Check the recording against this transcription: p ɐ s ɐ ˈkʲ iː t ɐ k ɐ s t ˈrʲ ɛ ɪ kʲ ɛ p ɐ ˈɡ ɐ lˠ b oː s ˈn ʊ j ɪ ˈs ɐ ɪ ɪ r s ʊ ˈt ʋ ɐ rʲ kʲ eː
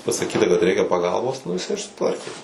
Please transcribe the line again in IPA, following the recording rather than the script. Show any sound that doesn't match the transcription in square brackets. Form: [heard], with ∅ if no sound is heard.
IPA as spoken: p ɐ s ɐ ˈkʲ iː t ɐ k ɐ [∅] t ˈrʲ ɛ ɪ kʲ ɛ p ɐ ˈɡ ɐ lˠ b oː s ˈn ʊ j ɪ ˈs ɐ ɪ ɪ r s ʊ ˈt ʋ ɐ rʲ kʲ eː